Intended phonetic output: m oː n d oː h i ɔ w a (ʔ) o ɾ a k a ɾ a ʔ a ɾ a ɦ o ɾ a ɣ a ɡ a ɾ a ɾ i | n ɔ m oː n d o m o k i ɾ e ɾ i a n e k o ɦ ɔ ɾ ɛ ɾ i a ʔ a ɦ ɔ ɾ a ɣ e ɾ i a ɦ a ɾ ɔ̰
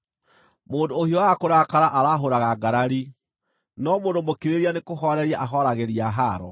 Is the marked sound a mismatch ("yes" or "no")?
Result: yes